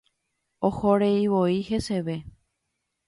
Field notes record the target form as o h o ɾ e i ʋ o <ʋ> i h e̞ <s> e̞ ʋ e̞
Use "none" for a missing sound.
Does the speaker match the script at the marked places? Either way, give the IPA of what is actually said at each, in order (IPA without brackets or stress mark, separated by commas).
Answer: none, s